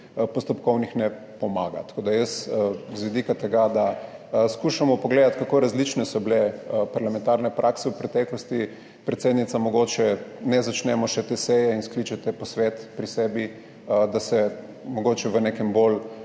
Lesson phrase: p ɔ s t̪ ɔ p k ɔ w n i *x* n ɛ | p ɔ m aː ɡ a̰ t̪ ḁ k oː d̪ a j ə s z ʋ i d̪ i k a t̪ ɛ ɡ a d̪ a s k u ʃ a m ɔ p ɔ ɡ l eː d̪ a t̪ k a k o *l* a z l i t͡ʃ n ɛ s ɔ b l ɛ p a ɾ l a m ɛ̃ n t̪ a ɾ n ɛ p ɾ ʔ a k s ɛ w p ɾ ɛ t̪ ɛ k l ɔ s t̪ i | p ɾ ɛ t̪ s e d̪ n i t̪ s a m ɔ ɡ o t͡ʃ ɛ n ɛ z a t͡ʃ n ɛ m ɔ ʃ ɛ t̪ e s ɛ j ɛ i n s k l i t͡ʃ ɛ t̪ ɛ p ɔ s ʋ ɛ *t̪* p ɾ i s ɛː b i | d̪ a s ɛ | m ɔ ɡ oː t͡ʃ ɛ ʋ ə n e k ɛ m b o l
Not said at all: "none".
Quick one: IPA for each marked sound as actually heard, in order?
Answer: x, ɾ, t̪

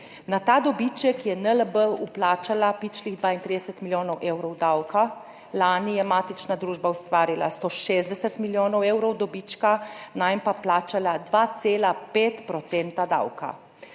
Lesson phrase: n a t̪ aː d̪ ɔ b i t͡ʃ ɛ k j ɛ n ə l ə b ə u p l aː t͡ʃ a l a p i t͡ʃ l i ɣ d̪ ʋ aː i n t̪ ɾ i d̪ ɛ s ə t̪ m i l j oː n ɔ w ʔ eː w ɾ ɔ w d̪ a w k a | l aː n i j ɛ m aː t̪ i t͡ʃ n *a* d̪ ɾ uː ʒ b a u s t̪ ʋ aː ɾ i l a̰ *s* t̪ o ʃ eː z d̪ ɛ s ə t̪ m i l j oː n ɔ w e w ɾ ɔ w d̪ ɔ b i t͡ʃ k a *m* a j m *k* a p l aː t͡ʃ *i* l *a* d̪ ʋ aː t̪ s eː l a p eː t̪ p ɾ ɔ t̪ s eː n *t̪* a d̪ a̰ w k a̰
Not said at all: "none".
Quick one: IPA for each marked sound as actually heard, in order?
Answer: a, s, n, p, a, a, t̪

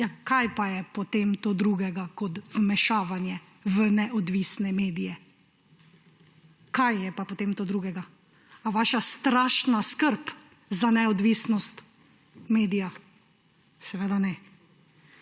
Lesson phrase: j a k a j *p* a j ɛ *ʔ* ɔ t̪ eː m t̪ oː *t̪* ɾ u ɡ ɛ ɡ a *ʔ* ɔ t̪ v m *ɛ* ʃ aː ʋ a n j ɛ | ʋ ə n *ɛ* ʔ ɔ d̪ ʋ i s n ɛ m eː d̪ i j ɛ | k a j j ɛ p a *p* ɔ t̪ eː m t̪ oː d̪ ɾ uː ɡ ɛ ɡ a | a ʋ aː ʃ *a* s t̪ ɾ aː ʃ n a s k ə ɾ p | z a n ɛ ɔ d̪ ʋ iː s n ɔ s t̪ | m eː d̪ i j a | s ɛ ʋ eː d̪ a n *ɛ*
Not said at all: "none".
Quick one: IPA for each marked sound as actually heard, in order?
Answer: p, p, d̪, k, ɛ, ɛ, p, a, ɛ

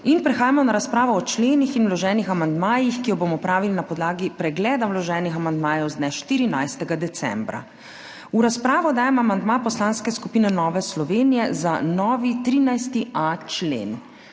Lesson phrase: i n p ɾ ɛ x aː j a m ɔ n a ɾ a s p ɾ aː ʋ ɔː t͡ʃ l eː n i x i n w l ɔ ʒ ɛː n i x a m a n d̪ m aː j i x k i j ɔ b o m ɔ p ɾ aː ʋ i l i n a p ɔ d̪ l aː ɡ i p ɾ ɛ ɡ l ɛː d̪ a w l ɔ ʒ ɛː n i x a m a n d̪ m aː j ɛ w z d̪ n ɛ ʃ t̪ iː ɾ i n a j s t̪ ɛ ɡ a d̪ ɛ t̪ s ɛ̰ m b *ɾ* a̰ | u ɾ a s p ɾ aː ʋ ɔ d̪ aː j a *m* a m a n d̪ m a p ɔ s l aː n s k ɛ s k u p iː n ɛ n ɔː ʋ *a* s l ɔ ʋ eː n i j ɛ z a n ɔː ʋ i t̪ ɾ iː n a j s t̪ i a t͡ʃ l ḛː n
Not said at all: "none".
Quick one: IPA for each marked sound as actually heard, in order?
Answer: ɾ, m, ɛ

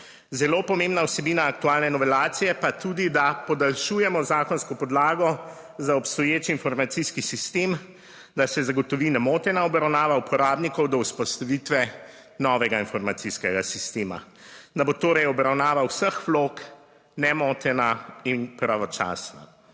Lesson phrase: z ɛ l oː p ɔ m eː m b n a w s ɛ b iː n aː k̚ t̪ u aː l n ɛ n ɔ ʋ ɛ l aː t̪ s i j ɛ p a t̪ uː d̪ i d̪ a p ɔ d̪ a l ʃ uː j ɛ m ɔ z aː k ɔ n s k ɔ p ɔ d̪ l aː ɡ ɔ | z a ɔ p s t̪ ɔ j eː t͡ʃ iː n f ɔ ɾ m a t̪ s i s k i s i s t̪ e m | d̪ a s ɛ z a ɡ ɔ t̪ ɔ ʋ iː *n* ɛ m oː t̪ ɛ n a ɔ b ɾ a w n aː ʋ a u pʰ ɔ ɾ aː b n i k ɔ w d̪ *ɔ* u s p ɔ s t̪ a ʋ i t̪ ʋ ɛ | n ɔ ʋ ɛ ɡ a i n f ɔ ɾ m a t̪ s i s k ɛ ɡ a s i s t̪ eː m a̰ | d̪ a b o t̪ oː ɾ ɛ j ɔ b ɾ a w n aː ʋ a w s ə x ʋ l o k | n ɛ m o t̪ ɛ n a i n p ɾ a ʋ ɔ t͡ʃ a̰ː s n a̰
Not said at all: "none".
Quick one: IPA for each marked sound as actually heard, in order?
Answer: n, ɔ

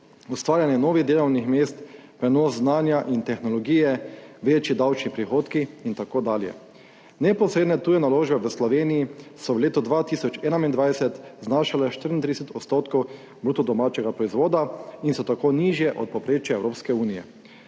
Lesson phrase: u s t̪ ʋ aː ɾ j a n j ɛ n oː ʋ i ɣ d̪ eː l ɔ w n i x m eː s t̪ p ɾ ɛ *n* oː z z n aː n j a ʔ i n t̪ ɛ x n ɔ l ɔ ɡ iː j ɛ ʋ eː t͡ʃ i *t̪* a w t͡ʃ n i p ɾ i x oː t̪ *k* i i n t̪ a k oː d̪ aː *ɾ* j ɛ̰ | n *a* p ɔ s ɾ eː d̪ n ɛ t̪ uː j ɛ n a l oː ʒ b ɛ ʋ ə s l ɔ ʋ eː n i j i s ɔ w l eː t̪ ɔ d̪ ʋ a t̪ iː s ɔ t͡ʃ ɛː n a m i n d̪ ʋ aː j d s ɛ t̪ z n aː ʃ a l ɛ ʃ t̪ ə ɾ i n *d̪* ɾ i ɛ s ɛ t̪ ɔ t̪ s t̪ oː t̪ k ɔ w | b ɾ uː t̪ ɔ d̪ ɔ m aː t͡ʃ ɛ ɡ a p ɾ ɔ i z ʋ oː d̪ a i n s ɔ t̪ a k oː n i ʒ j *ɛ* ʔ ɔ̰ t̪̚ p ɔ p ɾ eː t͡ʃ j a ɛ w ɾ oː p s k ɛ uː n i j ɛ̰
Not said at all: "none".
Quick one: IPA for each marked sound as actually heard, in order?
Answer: n, d̪, k, l, ɛ, t̪, ɛ

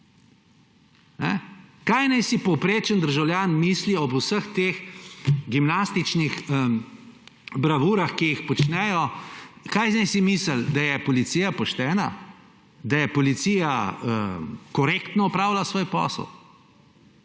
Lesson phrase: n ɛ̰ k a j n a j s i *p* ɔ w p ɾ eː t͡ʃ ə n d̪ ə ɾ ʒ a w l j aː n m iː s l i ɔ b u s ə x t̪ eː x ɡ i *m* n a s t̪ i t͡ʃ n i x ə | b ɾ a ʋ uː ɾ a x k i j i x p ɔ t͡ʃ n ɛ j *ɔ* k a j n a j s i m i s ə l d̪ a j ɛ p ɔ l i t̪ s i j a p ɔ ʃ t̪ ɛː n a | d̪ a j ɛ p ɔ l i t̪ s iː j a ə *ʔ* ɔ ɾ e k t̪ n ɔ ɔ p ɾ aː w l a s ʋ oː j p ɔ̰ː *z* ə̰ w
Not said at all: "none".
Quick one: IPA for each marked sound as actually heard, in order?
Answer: p, m, ɔ, k, s

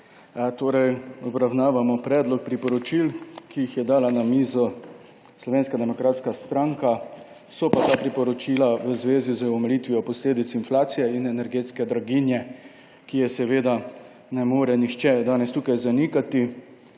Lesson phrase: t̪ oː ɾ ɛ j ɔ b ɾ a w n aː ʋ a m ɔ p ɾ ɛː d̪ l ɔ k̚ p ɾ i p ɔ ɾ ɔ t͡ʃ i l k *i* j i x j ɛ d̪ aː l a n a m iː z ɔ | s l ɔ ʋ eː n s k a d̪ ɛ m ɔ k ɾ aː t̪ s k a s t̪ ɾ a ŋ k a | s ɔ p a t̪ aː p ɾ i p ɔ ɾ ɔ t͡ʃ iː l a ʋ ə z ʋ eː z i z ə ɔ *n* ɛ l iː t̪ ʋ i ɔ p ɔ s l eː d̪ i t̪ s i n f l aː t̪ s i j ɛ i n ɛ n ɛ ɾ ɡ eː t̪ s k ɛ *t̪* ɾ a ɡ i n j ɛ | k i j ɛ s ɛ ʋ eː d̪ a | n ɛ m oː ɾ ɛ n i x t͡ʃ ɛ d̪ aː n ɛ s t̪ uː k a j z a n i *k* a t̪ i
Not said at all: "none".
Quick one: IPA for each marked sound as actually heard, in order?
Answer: i, m, d̪, k

